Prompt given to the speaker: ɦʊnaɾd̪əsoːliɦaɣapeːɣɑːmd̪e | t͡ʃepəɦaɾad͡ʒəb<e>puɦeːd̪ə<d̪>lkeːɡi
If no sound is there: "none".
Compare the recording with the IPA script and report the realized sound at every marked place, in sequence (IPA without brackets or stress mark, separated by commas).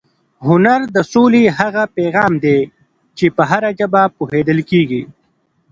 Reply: a, none